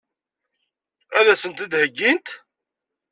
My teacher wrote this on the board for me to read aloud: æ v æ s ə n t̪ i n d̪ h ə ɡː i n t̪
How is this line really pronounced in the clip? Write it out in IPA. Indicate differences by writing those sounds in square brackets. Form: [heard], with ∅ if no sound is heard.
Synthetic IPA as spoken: æ [ð] æ s ə n t̪ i [∅] d̪ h ə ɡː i n t̪